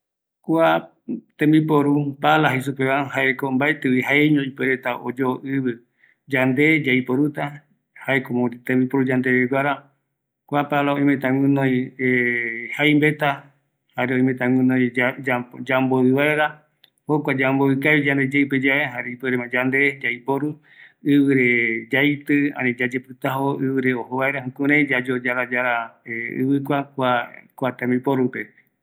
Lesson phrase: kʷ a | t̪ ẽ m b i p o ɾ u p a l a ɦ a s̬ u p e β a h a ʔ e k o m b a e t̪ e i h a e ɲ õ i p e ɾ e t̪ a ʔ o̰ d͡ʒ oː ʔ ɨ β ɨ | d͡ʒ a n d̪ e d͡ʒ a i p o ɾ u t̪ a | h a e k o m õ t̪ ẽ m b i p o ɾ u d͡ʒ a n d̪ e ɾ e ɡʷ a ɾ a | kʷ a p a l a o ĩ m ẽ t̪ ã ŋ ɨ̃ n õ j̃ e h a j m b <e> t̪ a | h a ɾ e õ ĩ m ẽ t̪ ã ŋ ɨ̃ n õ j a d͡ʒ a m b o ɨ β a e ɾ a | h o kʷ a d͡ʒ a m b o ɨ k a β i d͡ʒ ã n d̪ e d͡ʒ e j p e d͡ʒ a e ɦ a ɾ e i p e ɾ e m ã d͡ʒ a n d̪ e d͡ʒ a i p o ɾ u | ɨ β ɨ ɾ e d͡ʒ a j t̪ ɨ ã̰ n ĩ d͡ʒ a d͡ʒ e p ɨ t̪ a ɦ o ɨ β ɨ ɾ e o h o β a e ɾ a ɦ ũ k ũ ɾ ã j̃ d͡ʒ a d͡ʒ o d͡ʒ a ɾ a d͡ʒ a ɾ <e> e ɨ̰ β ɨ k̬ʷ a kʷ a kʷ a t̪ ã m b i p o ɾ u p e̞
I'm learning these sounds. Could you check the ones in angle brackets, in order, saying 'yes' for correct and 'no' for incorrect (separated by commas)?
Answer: yes, no